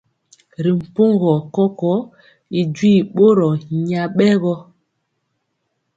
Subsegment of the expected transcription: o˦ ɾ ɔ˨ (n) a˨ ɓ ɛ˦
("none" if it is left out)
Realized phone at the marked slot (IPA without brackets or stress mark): ɲ